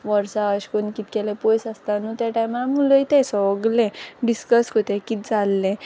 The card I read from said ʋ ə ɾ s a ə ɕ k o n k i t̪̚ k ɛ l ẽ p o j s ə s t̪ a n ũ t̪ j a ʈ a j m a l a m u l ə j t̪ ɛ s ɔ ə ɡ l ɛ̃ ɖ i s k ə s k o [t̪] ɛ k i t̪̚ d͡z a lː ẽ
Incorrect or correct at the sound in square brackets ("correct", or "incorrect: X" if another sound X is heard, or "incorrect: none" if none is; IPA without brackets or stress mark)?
correct